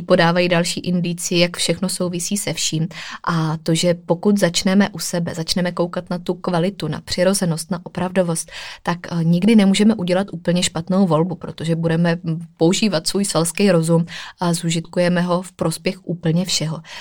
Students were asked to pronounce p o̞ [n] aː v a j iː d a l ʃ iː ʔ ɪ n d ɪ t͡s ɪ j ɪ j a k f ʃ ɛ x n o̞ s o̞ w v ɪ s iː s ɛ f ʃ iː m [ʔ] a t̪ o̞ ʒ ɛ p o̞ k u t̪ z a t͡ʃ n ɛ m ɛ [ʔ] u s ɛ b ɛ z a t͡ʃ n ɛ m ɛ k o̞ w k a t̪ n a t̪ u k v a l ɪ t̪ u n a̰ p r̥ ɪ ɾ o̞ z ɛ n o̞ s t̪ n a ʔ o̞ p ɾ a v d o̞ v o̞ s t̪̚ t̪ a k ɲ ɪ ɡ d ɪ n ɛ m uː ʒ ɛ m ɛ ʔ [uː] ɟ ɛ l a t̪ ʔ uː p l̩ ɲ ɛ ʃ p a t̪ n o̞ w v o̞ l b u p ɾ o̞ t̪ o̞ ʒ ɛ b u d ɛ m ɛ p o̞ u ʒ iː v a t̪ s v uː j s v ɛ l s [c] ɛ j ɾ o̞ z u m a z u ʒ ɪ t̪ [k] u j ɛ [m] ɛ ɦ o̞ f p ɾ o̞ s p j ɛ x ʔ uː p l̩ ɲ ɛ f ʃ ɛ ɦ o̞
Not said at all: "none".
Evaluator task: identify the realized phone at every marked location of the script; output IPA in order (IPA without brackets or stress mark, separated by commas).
d, ʔ, ʔ, u, k, k, m